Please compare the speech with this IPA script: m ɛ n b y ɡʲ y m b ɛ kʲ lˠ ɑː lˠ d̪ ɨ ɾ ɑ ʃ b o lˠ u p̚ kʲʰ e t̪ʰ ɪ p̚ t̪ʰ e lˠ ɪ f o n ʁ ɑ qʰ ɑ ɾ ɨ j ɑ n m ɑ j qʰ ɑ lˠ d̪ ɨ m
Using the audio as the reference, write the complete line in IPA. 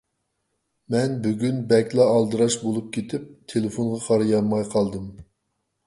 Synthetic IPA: m ɛ n b y ɡʲ y n b ɛ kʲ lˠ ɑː lˠ d̪ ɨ ɾ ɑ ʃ b o lˠ u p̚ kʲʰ e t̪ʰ ɪ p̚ t̪ʰ e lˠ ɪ f o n ʁ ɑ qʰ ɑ ɾ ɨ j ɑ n m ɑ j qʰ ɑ lˠ d̪ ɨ m